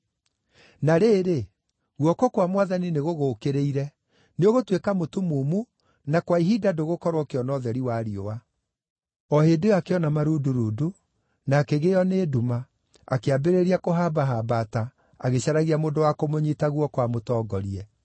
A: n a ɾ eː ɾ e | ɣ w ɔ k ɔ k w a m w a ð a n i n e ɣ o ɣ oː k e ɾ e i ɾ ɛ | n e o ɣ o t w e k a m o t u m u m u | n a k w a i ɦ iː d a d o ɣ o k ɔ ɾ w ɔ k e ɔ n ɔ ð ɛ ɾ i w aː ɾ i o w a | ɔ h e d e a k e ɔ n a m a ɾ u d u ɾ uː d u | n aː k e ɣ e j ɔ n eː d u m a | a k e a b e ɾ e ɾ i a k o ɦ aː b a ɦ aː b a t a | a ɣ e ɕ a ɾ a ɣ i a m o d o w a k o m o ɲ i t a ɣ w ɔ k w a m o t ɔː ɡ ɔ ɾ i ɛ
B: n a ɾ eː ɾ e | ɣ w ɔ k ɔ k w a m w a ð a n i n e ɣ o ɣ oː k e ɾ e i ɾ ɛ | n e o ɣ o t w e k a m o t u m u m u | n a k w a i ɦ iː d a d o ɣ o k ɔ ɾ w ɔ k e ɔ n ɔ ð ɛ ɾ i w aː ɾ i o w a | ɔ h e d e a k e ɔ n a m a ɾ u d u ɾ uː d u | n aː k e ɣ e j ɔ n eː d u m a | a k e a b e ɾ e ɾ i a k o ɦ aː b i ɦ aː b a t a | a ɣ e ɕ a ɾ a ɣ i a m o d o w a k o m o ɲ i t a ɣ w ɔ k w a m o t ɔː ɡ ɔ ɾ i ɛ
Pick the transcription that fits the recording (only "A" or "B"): A